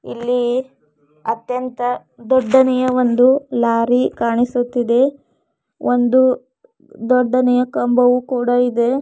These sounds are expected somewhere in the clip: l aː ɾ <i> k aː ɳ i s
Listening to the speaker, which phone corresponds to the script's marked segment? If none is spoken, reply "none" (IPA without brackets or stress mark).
i